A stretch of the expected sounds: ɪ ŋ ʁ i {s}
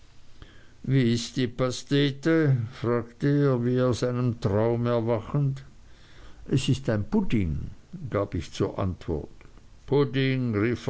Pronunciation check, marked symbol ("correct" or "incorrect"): incorrect